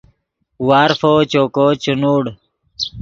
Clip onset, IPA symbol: w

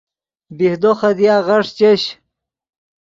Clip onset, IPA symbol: b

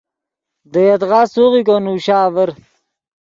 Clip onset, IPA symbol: d̪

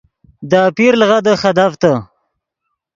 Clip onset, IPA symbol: d̪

